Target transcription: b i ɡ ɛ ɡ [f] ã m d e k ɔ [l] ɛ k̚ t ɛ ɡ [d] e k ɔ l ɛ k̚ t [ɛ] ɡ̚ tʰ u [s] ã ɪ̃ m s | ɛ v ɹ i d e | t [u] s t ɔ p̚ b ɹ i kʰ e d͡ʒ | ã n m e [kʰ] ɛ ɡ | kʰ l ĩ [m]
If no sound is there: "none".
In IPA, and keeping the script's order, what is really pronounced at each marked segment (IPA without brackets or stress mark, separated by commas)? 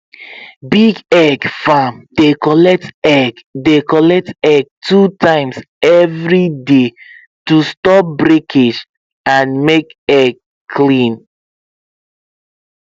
f, l, d, ɛ, t, u, k, n